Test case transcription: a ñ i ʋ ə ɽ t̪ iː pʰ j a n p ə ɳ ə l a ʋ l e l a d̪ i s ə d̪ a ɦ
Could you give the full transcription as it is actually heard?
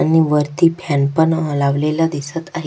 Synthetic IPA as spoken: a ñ i ʋ ə ɾ t̪ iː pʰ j a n p ə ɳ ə l a ʋ l e l a d̪ i s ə t̪ a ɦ

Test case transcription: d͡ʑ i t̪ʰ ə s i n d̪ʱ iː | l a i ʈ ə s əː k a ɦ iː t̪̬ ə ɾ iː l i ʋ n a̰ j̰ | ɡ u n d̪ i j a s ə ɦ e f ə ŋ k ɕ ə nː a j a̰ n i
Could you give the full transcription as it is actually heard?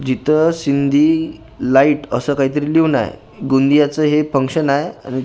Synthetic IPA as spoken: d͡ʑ i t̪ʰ ə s i n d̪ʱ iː | l a i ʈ ə s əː k a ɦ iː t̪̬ ə ɾ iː l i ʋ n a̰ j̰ | ɡ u n d̪ i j a t͡s ə ɦ e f ə ŋ k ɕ ə n a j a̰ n i

